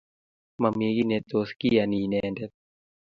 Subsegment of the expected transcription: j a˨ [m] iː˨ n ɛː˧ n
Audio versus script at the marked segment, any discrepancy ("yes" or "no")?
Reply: yes